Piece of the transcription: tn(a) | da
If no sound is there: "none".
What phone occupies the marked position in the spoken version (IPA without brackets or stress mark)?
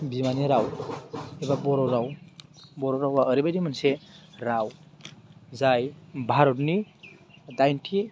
i